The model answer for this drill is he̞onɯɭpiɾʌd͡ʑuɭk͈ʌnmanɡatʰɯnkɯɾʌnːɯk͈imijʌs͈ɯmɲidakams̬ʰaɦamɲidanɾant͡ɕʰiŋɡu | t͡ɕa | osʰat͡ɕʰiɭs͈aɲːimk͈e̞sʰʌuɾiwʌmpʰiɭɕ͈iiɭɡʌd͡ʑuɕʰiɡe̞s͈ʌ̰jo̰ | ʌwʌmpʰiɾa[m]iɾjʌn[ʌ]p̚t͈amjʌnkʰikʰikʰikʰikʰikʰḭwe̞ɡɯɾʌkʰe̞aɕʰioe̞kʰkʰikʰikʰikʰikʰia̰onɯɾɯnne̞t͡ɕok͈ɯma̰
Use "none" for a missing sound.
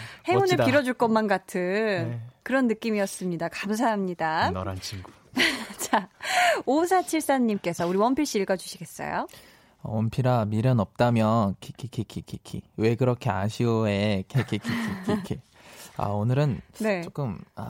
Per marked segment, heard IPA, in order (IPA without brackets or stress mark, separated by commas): m, ʌ